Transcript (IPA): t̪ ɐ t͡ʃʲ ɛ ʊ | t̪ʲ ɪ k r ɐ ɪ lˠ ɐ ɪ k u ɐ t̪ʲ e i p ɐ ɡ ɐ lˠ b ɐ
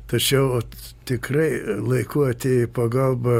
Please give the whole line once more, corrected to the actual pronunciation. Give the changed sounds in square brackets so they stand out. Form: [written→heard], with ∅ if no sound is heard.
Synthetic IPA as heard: t̪ ɐ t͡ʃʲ ɛ ʊ | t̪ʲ ɪ k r ɐ ɪ lˠ ɐ ɪ k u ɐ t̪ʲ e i p ɐ ɡ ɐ lˠ b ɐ